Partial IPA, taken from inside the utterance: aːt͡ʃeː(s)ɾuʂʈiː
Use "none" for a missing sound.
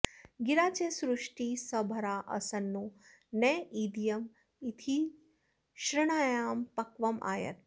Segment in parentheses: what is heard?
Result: s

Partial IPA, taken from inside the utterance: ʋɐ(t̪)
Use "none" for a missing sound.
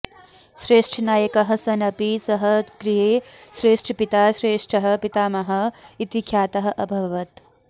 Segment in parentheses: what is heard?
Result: t̪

